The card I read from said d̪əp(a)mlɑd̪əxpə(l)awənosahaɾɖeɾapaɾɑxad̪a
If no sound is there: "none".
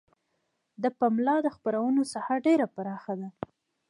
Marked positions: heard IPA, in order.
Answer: a, ɾ

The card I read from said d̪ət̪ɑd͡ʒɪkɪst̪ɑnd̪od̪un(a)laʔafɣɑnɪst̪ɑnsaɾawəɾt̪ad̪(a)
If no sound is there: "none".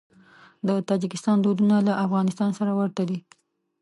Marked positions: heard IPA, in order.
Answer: a, i

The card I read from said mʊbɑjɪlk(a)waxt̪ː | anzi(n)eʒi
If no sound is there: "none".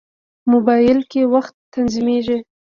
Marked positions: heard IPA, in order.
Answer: e, m

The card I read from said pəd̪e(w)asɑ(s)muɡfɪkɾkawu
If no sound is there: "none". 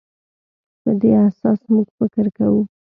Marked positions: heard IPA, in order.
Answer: none, s

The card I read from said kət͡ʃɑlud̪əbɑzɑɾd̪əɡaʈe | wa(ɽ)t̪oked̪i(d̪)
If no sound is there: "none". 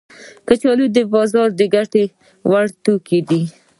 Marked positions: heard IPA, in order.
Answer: ɽ, none

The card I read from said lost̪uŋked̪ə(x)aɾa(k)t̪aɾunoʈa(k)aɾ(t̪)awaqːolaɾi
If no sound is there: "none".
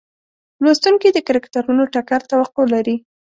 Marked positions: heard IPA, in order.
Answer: k, k, k, t̪

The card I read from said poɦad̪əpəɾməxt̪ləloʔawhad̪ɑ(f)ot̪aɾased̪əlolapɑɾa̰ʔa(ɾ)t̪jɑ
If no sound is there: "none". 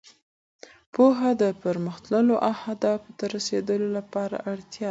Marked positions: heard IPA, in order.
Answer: f, ɽ

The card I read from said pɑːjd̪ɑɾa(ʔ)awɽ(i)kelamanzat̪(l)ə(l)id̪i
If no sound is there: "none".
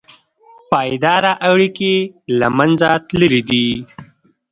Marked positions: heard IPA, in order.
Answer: ʔ, i, l, ɾ

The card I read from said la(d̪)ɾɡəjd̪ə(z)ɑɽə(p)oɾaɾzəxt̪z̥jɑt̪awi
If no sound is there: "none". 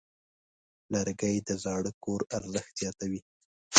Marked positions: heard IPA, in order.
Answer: none, z, k

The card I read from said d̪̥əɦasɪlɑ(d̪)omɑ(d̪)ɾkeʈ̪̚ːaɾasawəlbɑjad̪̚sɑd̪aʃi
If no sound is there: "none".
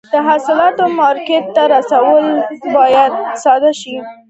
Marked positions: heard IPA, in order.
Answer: t̪, none

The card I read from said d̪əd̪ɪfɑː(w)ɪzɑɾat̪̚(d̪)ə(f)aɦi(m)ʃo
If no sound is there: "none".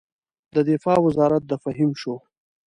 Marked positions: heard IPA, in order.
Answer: w, d̪, f, m

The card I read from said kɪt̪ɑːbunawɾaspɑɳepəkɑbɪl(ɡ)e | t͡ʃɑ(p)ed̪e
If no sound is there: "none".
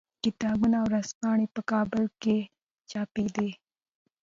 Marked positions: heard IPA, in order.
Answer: k, p

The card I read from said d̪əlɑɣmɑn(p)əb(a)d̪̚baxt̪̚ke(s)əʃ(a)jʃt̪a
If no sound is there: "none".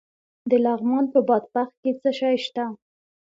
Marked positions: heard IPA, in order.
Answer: p, ɑ, t͡s, ɑ

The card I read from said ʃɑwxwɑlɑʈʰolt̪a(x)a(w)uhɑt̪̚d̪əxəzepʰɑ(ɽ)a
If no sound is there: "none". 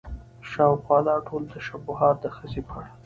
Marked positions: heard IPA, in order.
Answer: ʃ, b, ɽ

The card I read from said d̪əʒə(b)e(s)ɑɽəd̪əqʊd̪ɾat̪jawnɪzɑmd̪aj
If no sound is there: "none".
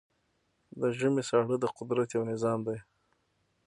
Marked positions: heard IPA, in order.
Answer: m, s

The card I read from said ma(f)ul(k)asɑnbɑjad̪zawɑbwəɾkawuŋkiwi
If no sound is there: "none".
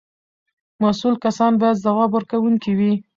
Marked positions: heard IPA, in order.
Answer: s, k

